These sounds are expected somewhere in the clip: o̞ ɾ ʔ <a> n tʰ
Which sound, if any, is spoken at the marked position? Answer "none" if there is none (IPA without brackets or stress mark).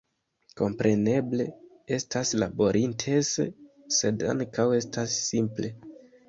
i